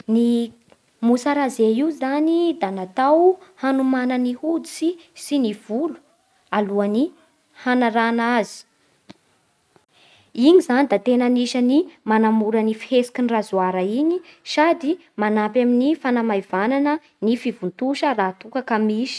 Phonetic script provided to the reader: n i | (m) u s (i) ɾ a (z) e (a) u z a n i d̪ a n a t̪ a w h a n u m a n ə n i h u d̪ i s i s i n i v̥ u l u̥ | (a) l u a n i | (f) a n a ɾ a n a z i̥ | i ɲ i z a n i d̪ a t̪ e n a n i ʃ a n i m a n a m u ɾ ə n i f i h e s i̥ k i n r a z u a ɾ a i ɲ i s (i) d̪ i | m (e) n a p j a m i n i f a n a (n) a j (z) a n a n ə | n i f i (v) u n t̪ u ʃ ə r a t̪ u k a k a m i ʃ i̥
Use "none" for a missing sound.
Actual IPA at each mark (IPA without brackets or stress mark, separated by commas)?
m, a, z, i, a, h, a, a, m, v, v